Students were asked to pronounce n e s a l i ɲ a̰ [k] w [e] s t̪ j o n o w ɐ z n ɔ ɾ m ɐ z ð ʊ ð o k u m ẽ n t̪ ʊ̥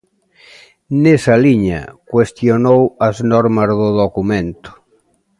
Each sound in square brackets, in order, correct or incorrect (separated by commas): correct, correct